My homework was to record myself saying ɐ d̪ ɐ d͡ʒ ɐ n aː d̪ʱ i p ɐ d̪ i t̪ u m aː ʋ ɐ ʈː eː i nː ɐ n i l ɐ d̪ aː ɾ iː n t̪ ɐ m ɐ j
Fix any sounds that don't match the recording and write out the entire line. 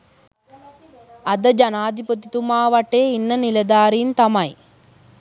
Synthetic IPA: ɐ d̪ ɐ d͡ʒ ɐ n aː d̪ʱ i p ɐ t̪ i t̪ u m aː ʋ ɐ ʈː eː i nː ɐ n i l ɐ d̪ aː ɾ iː n t̪ ɐ m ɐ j